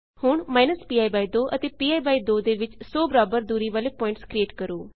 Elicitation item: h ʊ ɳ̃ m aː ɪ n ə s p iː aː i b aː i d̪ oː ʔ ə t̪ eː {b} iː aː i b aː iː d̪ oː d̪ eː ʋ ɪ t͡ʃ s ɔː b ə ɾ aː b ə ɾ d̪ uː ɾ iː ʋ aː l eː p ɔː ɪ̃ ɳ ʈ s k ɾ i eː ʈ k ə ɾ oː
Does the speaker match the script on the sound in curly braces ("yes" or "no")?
no